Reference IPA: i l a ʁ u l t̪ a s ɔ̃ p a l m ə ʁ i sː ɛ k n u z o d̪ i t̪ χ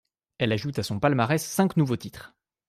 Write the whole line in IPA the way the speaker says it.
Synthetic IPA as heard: ɛ l a ʒ u t̪ a s ɔ̃ p a l m a ʁ ɛ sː ɛ̃ k n u v o t̪ i t̪ χ